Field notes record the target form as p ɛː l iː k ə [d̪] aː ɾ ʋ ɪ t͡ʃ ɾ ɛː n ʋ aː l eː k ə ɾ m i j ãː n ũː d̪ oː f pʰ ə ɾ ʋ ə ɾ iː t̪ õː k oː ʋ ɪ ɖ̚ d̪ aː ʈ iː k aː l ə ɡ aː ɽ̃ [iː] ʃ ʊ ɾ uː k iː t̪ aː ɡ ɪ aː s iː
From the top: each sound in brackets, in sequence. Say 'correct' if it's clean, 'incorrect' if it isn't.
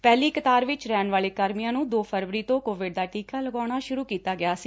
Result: incorrect: t̪, incorrect: aː

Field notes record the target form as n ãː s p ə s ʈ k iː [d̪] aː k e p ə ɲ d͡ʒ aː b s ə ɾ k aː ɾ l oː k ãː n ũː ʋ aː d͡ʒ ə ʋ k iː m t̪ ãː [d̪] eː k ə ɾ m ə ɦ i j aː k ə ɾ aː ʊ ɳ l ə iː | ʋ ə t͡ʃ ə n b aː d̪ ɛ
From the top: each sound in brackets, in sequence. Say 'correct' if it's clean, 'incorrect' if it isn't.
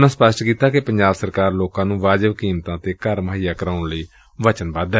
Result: incorrect: t̪, incorrect: t̪

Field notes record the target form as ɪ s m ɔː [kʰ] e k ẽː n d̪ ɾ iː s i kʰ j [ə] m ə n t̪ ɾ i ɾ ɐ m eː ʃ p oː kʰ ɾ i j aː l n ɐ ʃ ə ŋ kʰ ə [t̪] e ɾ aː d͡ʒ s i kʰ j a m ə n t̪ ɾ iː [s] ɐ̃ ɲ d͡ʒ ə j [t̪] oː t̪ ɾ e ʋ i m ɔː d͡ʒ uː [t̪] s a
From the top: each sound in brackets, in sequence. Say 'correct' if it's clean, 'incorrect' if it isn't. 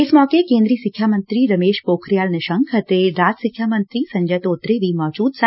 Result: incorrect: k, incorrect: a, correct, correct, correct, incorrect: d̪

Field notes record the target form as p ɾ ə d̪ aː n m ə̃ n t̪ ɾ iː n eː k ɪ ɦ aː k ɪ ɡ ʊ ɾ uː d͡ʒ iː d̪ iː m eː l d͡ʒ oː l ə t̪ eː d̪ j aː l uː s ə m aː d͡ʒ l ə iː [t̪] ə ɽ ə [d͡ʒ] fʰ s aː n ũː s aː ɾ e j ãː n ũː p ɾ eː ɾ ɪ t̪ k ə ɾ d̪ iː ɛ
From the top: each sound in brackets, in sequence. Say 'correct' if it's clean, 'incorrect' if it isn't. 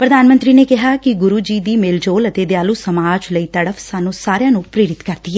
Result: correct, incorrect: none

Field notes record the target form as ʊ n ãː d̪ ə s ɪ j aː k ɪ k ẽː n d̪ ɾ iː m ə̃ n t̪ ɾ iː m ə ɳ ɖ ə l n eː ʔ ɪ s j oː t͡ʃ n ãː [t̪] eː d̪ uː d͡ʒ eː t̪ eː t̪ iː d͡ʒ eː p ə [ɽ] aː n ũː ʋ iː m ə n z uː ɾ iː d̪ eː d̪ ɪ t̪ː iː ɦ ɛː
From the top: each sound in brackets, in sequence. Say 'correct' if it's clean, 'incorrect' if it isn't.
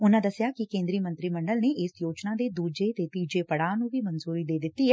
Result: incorrect: d̪, correct

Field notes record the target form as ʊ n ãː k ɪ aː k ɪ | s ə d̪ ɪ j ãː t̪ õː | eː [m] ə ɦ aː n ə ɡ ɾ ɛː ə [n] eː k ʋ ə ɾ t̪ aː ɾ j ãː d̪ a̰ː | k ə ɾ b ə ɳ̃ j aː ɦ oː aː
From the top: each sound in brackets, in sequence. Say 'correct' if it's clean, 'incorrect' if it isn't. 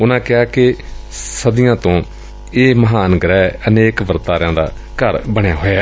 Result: correct, correct

